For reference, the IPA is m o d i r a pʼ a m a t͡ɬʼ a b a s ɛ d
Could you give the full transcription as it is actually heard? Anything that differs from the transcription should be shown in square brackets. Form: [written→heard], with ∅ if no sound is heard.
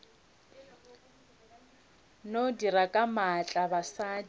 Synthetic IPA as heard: [m→n] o d i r a [pʼ→kʼ] a m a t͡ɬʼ a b a s [ɛ→a] d